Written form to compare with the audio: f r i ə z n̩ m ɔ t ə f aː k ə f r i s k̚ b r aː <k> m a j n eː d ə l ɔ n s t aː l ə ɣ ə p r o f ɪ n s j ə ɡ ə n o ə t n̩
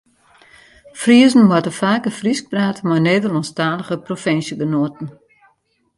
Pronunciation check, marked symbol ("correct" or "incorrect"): incorrect